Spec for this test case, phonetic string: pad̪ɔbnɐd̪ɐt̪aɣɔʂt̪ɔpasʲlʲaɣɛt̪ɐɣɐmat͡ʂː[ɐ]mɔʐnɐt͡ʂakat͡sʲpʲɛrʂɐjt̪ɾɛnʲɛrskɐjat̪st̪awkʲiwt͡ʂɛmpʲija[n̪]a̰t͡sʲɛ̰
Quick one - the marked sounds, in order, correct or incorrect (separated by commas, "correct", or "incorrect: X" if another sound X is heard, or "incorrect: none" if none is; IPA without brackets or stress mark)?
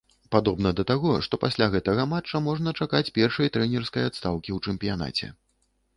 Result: correct, correct